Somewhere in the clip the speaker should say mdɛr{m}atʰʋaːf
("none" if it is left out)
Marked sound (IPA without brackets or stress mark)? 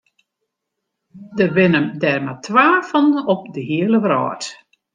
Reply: m